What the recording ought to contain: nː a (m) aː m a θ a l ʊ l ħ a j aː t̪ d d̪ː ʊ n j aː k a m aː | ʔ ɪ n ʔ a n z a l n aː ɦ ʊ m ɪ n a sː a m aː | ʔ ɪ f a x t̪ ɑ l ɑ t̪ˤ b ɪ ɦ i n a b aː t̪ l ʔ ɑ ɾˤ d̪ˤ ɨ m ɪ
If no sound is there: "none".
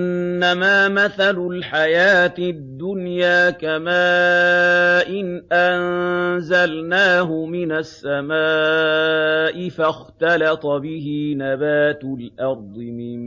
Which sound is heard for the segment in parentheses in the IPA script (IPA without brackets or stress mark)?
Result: m